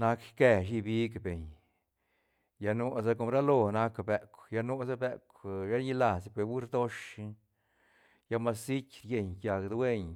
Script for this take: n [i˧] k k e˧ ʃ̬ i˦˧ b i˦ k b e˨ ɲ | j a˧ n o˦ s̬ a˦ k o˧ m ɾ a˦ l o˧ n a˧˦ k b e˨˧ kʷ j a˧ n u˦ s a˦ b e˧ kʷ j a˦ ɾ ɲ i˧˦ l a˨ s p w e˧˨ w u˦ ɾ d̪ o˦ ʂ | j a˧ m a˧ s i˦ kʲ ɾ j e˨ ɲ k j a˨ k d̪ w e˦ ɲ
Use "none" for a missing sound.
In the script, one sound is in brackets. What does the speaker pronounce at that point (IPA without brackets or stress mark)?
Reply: a˧